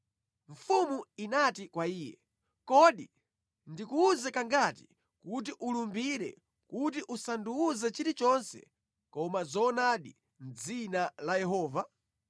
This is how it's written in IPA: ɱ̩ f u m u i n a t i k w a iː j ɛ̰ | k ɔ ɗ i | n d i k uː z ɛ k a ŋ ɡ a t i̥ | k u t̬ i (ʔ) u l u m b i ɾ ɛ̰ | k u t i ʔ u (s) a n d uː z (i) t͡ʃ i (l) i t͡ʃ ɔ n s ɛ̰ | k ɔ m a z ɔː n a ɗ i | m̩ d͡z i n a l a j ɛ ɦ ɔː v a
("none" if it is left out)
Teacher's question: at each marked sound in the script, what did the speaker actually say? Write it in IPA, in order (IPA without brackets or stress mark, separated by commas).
ʔ, s, ɛ, ɾ